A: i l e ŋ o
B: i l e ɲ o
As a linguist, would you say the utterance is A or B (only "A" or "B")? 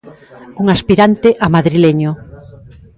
B